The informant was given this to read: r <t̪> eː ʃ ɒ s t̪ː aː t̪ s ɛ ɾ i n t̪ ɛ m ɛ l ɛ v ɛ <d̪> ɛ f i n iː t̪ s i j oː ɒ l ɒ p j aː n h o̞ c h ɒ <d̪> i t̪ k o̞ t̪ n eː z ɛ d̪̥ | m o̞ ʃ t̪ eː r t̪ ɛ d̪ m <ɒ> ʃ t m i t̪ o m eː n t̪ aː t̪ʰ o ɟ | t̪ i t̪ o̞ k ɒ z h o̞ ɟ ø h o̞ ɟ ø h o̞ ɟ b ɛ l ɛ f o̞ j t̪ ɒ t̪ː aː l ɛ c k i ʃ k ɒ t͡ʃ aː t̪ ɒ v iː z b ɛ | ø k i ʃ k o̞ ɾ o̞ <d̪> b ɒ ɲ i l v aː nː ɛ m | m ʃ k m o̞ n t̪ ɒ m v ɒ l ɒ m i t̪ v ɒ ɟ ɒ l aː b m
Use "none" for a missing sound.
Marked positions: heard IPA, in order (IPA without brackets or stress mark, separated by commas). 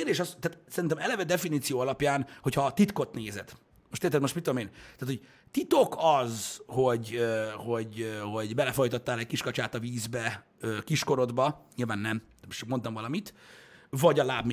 d̪, d̪, t̪, o, d̪